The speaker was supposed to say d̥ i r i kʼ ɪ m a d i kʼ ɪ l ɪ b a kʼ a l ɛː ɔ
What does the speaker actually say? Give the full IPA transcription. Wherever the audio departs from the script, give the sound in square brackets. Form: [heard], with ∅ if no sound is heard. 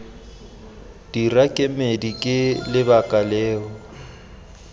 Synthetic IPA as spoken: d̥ i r [a] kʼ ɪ m [e] d i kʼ ɪ l ɪ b a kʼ a l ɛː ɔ